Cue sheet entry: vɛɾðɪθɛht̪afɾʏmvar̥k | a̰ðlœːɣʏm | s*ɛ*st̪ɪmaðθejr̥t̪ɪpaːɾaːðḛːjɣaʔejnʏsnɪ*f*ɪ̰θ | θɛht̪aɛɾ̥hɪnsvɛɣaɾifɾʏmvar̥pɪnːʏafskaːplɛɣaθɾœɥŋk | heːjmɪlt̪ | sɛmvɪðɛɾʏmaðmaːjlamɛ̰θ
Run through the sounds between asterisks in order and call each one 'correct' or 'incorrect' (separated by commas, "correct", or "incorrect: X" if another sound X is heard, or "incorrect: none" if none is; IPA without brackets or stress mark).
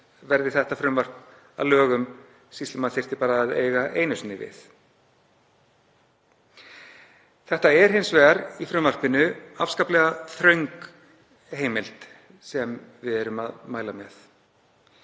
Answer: incorrect: i, incorrect: v